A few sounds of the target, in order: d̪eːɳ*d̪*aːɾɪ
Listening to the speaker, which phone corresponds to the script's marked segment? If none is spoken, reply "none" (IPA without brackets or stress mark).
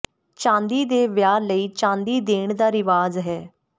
d̪